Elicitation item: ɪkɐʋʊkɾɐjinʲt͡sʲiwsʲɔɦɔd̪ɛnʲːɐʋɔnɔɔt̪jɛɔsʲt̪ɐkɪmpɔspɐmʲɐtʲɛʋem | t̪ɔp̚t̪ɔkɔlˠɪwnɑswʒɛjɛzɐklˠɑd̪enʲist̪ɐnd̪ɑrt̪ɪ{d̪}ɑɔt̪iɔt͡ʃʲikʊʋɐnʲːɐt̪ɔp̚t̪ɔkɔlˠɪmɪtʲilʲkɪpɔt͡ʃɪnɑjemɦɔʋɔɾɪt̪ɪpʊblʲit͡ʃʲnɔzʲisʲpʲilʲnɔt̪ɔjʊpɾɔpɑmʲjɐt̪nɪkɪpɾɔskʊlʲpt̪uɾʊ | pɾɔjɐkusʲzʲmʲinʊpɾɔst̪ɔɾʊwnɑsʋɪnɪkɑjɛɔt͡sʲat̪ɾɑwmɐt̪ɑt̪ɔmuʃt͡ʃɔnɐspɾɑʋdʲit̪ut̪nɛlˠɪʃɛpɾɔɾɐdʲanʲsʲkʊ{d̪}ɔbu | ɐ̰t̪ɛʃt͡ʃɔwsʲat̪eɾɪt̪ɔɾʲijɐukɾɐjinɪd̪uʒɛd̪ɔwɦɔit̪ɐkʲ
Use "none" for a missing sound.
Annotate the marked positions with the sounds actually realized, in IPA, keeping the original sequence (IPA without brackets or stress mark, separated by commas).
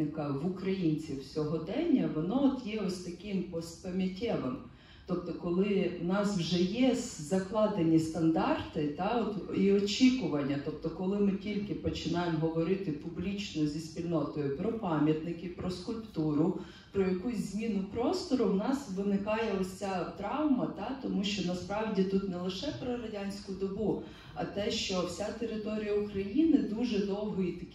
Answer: t̪, d̪